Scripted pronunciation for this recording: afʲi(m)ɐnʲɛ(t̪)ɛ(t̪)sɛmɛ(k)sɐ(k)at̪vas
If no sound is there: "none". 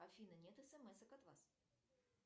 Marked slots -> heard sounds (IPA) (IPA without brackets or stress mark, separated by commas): n, t̪, none, none, k